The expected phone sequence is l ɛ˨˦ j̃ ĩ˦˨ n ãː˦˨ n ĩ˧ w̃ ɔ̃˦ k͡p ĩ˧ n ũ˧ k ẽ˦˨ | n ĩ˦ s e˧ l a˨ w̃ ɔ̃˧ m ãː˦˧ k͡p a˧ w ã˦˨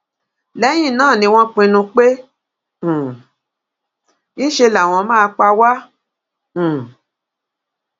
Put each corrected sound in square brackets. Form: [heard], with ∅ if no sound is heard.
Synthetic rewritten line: l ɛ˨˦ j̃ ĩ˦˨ n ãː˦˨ n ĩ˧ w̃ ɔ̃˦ k͡p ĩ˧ n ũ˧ [k͡p] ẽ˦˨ | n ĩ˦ [ʃ] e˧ l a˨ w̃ ɔ̃˧ m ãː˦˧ k͡p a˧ w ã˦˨